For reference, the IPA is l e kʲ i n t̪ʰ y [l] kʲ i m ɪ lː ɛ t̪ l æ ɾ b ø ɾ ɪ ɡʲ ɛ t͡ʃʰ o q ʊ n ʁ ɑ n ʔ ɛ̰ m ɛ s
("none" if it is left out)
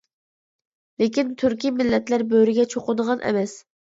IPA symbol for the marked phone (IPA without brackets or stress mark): ɾ